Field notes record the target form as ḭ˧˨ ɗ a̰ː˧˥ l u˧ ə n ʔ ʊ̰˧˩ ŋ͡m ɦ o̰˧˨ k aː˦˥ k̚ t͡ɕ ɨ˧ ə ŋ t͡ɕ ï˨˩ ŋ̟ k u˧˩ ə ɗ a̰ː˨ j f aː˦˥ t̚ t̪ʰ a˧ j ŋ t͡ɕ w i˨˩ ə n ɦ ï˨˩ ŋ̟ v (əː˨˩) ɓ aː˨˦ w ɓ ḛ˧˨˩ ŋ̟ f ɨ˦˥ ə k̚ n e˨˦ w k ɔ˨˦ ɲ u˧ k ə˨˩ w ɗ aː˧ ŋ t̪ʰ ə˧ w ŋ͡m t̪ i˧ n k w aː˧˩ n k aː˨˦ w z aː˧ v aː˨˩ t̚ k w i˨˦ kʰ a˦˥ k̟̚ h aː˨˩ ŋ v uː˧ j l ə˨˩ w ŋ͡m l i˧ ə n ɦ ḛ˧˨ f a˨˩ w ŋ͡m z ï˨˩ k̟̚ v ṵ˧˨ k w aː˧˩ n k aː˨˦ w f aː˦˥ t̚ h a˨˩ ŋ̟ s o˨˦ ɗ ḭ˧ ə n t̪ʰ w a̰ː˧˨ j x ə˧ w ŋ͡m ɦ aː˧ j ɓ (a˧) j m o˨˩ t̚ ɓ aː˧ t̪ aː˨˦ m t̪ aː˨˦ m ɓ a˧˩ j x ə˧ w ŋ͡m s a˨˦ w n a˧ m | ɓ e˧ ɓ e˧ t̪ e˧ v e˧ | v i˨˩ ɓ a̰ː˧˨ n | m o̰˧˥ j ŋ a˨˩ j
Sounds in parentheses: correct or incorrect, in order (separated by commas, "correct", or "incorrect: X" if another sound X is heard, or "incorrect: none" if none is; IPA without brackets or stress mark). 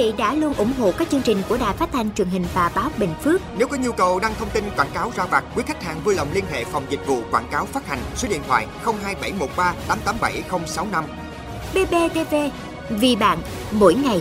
incorrect: aː˨˩, incorrect: a˧˩